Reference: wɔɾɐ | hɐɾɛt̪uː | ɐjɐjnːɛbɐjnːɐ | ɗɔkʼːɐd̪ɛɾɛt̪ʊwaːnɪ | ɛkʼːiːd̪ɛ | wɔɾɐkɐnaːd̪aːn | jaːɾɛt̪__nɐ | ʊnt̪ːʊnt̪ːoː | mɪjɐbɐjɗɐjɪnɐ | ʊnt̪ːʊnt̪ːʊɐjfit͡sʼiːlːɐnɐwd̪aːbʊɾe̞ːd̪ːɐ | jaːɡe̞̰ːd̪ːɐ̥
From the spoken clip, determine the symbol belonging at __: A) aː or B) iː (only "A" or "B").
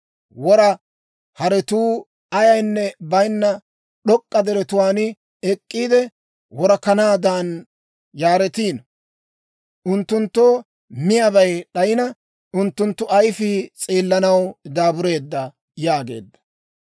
B